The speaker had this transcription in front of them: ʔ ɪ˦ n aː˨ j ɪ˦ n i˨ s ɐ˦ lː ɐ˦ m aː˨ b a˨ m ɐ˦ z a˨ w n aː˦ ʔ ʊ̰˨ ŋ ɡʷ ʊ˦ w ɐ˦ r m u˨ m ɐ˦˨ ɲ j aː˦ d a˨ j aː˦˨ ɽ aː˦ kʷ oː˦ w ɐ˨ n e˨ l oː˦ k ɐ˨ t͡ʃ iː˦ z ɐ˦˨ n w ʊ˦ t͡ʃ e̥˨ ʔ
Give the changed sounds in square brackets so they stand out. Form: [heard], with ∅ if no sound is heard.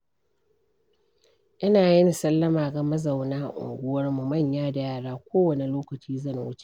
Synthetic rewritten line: ʔ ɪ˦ n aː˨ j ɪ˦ n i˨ s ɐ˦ lː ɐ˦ m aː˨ [ɡ] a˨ m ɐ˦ z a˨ w n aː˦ ʔ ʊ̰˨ ŋ ɡʷ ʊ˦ w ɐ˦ r m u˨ m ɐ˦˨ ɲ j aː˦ d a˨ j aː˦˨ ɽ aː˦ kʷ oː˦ w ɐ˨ n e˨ l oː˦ k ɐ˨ t͡ʃ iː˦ z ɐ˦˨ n w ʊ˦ t͡ʃ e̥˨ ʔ